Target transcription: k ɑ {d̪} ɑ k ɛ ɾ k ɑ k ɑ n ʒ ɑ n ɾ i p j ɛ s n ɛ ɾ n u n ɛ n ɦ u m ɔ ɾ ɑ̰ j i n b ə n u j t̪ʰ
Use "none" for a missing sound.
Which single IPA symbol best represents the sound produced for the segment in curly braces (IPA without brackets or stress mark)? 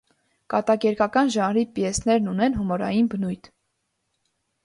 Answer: t̪